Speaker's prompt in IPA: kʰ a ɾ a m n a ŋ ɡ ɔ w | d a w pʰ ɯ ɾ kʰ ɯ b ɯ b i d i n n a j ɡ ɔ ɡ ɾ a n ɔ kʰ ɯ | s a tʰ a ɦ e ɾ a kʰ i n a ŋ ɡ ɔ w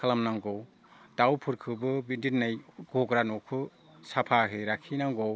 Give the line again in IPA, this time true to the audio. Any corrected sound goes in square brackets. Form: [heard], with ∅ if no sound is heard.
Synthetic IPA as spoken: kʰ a [l] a m n a ŋ ɡ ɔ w | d a w pʰ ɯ ɾ kʰ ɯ b ɯ b i d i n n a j ɡ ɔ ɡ ɾ a n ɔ kʰ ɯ | s a [pʰ] a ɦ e ɾ a kʰ i n a ŋ ɡ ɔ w